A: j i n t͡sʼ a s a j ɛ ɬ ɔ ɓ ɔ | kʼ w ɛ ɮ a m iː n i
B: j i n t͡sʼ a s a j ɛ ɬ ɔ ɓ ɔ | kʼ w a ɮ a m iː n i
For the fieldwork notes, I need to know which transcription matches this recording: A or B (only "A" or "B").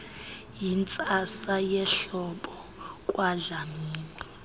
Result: B